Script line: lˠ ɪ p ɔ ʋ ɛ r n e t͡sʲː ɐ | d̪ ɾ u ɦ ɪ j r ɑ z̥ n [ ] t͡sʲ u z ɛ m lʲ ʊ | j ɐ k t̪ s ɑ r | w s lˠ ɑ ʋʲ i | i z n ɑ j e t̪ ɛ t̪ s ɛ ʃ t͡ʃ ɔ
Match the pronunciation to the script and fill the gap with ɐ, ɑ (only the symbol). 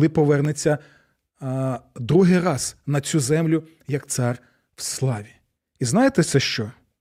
ɐ